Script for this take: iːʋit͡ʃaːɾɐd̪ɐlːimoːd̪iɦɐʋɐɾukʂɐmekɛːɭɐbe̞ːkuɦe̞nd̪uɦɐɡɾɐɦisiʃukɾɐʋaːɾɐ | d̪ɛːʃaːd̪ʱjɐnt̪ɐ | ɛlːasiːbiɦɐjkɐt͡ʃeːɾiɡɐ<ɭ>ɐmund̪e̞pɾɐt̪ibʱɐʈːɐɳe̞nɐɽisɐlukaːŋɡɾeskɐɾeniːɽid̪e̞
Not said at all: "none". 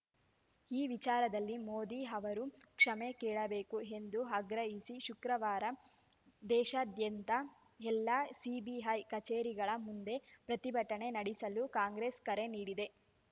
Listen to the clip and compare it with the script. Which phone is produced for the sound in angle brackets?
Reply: ɭ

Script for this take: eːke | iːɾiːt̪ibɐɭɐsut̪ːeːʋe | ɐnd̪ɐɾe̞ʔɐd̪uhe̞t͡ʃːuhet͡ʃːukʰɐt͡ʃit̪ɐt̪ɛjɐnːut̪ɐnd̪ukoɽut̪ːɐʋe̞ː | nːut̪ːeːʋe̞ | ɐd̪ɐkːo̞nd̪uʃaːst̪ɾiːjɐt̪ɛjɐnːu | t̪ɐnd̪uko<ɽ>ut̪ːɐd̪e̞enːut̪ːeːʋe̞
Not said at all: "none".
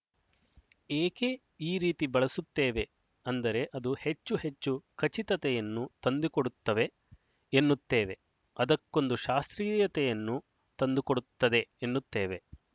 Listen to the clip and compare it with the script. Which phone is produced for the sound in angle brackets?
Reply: ɽ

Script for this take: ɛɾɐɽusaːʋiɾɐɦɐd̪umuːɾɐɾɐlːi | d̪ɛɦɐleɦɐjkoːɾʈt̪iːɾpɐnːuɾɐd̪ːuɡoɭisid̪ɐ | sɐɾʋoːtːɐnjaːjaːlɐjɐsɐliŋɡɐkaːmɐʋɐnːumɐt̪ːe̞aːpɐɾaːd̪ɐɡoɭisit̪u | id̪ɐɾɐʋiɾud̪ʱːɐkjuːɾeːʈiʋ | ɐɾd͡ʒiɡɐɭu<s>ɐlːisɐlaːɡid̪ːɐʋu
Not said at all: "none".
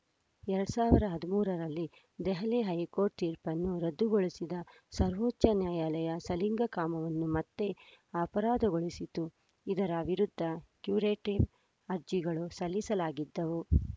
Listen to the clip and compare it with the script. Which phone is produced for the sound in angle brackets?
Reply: s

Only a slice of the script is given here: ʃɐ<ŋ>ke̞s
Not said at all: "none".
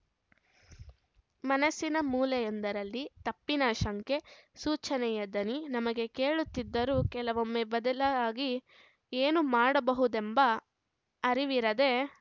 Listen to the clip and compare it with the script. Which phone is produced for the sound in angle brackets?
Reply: ŋ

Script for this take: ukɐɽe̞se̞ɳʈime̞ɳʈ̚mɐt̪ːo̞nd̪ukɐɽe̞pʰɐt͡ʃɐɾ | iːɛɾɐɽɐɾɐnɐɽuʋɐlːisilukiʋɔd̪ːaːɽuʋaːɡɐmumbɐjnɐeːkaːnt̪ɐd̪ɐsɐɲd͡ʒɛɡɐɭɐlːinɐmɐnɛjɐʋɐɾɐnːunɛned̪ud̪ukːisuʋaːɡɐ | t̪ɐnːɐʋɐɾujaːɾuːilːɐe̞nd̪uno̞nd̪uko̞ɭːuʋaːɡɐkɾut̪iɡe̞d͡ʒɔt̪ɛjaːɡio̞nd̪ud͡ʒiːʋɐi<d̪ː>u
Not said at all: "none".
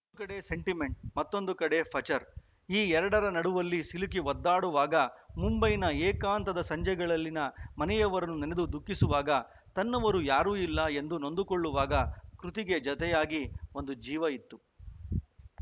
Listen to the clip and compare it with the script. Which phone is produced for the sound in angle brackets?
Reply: t̪ː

